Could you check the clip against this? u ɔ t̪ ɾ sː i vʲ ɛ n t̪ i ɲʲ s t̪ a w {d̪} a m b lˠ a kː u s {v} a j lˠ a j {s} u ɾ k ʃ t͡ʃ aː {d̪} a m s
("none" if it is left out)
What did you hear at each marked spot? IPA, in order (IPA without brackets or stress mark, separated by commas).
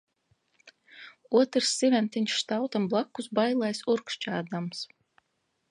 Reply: t̪, b, s, d̪